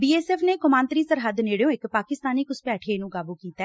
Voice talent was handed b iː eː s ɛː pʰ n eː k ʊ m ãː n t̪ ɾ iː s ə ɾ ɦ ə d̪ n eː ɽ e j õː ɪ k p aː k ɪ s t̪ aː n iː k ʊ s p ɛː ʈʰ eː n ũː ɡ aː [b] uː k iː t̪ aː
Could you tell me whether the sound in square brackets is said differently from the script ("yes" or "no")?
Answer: no